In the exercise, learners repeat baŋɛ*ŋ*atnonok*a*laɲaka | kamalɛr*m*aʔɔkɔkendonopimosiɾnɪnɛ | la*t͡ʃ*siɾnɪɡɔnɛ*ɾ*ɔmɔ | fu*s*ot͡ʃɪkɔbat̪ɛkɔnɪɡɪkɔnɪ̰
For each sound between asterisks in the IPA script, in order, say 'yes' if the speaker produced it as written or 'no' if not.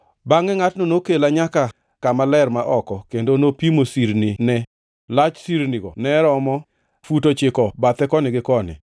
yes, no, yes, yes, yes, no

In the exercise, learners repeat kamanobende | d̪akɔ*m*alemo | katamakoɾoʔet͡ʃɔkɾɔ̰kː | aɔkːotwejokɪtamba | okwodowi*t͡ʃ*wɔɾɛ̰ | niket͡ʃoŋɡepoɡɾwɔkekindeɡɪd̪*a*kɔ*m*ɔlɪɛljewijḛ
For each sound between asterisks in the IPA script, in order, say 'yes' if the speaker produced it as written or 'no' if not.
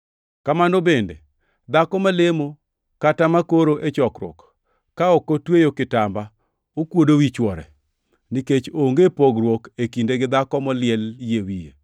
yes, yes, yes, yes

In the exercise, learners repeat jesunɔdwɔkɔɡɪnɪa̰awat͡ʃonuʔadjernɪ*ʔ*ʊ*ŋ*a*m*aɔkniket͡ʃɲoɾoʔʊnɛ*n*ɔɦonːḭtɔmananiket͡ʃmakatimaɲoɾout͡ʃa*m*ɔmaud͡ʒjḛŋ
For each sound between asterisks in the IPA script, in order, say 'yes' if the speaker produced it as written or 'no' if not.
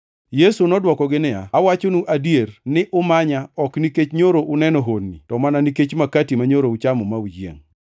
yes, no, no, yes, yes

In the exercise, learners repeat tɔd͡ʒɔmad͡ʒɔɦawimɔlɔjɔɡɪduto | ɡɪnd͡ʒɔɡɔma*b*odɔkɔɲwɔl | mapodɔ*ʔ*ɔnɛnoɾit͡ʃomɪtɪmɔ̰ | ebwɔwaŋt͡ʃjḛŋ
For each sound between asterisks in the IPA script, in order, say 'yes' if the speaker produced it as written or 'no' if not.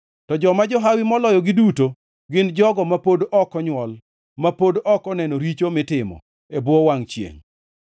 no, no

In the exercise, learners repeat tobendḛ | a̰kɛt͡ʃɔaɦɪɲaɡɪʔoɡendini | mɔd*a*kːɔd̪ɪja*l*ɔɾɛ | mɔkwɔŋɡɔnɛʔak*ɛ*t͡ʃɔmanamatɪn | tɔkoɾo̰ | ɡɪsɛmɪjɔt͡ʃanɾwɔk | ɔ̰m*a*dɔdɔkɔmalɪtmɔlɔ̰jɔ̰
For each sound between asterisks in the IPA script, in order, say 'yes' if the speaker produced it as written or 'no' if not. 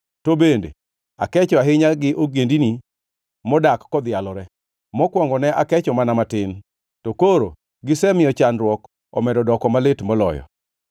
yes, yes, yes, no

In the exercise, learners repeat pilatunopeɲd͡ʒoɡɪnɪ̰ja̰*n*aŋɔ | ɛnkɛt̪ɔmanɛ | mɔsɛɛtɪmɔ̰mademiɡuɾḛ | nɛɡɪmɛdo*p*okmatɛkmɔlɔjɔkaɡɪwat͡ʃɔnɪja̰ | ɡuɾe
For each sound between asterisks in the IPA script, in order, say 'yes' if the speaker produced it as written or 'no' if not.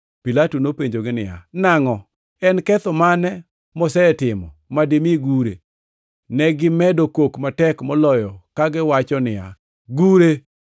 yes, no

